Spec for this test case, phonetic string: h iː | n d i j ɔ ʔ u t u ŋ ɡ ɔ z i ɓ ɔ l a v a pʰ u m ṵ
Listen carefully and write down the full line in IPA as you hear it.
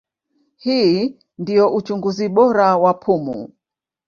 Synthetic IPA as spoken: h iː | n d i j ɔ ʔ u t͡ʃ u ŋ ɡ u z i ɓ ɔ ɾ a w a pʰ u m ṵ

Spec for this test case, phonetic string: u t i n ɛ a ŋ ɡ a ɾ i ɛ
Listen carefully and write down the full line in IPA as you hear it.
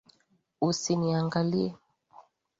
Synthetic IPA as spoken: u s i n i a ŋ ɡ a l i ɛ

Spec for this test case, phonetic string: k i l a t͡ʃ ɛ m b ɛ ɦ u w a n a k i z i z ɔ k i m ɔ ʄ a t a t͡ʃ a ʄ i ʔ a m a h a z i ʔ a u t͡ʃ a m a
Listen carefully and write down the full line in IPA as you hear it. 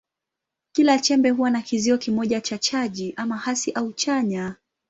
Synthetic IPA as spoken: k i l a t͡ʃ ɛ m b ɛ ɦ u w a n a k i z i ɔ k i m ɔ ʄ a t͡ʃ a t͡ʃ a ʄ i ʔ a m a h a s i ʔ a u t͡ʃ a ɲ a

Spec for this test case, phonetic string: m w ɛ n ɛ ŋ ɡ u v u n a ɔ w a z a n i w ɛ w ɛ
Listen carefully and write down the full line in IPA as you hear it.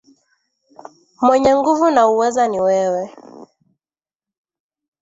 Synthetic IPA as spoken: m w ɛ ɲ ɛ ŋ ɡ u v u n a u w ɛ z a n i w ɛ w ɛ

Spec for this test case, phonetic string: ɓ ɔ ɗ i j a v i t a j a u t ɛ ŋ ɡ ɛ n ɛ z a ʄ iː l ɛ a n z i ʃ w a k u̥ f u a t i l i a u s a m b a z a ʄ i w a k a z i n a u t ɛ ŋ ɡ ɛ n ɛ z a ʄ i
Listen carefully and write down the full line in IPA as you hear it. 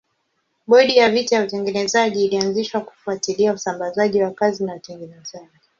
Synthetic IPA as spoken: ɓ ɔ ɗ i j a v i t a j a u t ɛ ŋ ɡ ɛ n ɛ z a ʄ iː l i a n z i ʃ w a k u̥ f u a t i l i a u s a m b a z a ʄ i w a k a z i n a u t ɛ ŋ ɡ ɛ n ɛ z a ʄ i

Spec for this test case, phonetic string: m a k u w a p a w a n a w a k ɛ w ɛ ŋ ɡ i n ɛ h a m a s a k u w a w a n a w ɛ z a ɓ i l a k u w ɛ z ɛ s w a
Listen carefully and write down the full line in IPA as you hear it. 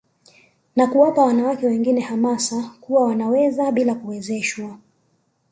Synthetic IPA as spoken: n a k u w a p a w a n a w a k ɛ w ɛ ŋ ɡ i n ɛ h a m a s a k u w a w a n a w ɛ z a ɓ i l a k u w ɛ z ɛ ʃ w a

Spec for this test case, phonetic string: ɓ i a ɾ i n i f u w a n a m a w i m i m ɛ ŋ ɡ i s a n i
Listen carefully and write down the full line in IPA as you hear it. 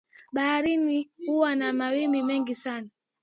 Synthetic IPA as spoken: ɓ a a ɾ i n i h u w a n a m a w i m i m ɛ ŋ ɡ i s a n a

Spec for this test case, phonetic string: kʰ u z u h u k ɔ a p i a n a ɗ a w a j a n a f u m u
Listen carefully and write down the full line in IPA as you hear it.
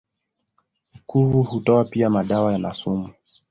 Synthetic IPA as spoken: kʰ u v u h u t ɔ a p i a m a ɗ a w a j a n a s u m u

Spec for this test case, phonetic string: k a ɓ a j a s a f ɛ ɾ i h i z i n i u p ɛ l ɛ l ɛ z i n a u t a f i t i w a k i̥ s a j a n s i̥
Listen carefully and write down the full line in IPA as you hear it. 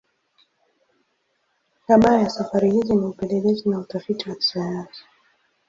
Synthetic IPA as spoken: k a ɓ a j a s a f a ɾ i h i z i n i u p ɛ l ɛ l ɛ z i n a u t a f i t i w a k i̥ s a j a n s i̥

